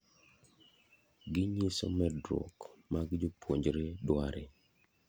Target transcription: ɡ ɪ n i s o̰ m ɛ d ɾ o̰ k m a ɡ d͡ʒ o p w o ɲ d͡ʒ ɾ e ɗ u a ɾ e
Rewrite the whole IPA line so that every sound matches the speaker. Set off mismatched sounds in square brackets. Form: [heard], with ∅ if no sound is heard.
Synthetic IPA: ɡ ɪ [ɲ] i s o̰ m ɛ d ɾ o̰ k m a ɡ d͡ʒ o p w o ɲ d͡ʒ ɾ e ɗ [w] a ɾ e